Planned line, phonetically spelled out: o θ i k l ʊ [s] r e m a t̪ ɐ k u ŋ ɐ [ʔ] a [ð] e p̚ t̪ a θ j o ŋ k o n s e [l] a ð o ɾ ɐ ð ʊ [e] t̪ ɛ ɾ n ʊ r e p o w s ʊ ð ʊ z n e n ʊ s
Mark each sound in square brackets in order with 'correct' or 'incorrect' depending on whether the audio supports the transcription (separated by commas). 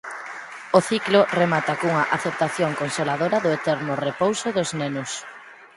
incorrect, correct, incorrect, correct, correct